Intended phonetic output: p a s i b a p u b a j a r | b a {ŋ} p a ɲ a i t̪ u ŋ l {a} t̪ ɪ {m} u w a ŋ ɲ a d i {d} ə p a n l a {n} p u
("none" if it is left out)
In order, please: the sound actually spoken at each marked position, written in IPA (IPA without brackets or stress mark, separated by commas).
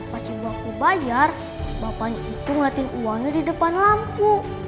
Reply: none, a, n, d, m